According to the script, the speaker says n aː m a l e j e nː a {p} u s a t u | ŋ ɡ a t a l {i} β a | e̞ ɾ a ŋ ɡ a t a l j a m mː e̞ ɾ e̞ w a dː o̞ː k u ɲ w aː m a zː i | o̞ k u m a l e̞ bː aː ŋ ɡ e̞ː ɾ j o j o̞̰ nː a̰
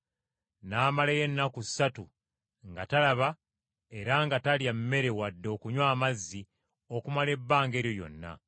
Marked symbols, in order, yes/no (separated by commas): no, no